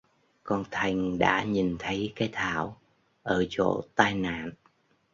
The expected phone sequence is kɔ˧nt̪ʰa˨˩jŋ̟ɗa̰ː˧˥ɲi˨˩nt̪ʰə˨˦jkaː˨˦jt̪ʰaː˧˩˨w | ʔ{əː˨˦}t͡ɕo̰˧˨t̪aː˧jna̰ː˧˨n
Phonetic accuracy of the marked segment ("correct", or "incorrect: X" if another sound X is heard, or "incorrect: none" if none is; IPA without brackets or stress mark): incorrect: əː˧˩